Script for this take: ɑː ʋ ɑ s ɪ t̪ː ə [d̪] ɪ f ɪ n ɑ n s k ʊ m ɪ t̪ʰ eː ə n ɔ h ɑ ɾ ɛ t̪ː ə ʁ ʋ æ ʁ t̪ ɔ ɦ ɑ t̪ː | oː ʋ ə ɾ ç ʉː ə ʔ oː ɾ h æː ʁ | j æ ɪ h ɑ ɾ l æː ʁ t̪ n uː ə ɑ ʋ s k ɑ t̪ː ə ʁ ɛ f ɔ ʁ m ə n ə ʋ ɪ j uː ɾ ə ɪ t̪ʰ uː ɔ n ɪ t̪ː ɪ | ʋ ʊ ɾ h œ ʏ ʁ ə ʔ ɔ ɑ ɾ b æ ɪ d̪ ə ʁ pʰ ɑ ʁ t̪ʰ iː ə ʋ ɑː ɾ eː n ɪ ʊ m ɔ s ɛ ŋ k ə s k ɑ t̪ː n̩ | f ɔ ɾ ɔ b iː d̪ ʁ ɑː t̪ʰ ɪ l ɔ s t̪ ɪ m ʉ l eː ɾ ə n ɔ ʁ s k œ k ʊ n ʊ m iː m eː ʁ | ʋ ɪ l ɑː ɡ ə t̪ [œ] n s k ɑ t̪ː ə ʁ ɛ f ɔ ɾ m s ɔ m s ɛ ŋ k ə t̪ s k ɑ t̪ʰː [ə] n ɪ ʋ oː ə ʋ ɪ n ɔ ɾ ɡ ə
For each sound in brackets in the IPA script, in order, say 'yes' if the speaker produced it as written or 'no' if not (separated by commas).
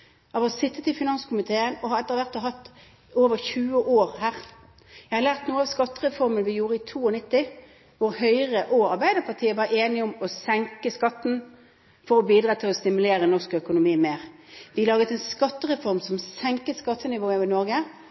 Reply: no, no, yes